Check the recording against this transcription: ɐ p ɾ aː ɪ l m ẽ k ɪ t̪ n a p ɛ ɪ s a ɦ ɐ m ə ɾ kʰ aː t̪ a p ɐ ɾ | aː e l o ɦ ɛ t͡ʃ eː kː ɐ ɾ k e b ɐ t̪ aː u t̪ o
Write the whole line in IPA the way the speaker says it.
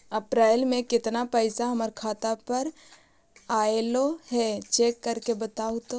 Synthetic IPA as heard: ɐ p ɾ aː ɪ l m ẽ k ɪ t̪ n a p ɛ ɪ s a ɦ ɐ m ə ɾ kʰ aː t̪ a p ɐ ɾ | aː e l o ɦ ɛ t͡ʃ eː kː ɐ ɾ k e b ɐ t̪ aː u t̪ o

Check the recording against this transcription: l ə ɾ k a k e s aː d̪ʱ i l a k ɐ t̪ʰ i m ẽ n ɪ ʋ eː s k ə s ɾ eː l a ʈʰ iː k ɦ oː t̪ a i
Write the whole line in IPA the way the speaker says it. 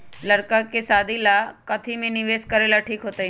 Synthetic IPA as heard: l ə ɾ k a k e s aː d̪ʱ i l a k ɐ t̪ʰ i m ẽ n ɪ ʋ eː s k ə ɾ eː l a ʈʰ iː k ɦ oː t̪ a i

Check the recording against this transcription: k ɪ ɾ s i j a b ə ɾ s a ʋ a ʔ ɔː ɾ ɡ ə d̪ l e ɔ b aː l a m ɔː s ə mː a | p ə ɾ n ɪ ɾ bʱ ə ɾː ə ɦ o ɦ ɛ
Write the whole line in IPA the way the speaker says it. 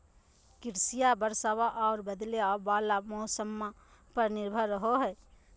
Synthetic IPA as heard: k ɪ ɾ s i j a b ə ɾ s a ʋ a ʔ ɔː ɾ b ə d̪ l e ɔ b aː l a m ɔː s ə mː a | p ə ɾ n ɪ ɾ bʱ ə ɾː ə ɦ o ɦ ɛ

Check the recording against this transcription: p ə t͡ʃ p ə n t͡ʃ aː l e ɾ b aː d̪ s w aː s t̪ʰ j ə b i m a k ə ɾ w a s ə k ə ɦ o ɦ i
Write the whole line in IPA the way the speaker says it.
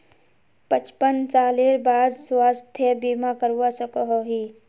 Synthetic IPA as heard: p ə t͡ʃ p ə n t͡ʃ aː l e ɾ b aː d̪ s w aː s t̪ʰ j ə b i m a k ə ɾ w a s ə k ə ɦ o ɦ i

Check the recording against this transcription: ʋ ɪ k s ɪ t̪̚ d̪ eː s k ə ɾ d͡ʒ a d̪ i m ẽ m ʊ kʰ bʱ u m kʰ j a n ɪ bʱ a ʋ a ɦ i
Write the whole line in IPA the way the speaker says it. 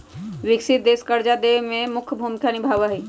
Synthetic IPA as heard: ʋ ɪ k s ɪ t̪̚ d̪ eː s k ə ɾ d͡ʒ a d̪ e m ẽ m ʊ kʰ bʱ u m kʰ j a n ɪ bʱ a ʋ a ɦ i

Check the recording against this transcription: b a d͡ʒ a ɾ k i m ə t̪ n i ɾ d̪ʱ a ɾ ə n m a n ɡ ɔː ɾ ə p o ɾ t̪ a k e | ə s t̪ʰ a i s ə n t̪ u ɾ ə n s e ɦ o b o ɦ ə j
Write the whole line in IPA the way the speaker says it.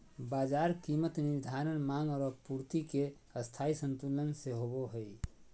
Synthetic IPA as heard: b a d͡ʒ a ɾ k i m ə t̪ n i ɾ d̪ʱ a ɾ ə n m a ŋ ɡ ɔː ɾ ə p u ɾ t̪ i k e | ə s t̪ʰ a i s ə n t̪ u l ə n s e ɦ o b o ɦ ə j

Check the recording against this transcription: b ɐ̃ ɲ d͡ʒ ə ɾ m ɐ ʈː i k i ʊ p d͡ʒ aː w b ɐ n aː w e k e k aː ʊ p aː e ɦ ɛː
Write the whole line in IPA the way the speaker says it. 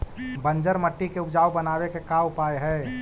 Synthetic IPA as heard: b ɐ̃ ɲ d͡ʒ ə ɾ m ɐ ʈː i k e ʊ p d͡ʒ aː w b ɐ n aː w e k e k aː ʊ p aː e ɦ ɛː

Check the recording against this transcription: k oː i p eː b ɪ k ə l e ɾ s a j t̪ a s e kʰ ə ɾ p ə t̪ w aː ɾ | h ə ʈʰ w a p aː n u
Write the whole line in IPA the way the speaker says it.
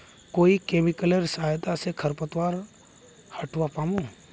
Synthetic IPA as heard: k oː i k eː m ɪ k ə l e ɾ s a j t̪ a s e kʰ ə ɾ p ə t̪ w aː ɾ | h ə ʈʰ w a p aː m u

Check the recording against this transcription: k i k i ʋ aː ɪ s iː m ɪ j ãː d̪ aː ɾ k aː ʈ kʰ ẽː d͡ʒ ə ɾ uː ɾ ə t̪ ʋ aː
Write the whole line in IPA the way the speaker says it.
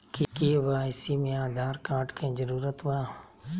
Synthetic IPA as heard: k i k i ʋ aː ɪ s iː m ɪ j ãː d̪ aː ɾ k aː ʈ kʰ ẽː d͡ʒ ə ɾ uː ɾ ə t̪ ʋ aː

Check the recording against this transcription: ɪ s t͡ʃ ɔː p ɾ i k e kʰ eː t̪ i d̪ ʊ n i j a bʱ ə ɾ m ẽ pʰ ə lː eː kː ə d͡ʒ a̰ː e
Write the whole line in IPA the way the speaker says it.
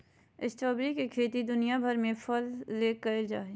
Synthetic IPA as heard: ɪ s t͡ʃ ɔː b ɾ i k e kʰ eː t̪ i d̪ ʊ n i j a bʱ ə ɾ m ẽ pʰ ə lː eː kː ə d͡ʒ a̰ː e

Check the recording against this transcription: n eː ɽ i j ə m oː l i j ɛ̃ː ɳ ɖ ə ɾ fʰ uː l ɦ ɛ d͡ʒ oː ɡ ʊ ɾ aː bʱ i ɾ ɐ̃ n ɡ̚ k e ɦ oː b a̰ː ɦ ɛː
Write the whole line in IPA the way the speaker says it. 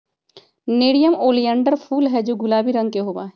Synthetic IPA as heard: n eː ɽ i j ə m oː l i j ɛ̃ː ɳ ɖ ə ɾ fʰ uː l ɦ ɛ d͡ʒ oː ɡ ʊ l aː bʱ i ɾ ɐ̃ ŋ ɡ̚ k e ɦ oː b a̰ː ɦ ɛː

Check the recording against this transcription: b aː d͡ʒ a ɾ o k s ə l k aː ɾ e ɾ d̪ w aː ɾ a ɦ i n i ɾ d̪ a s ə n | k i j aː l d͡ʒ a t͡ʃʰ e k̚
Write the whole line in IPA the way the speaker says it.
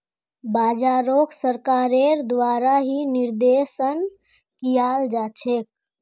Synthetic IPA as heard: b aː d͡ʒ a ɾ o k s ə ɾ k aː ɾ e ɾ d̪ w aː ɾ a ɦ i n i ɾ d̪ e s ə n | k i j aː l d͡ʒ a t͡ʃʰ e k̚

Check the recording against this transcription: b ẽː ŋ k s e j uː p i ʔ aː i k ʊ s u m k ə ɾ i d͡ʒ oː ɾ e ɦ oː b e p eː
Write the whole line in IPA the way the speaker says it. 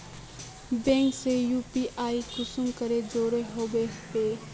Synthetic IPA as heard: b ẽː ŋ k s e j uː p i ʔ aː i k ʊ s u m k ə ɾ e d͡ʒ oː ɾ e ɦ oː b e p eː

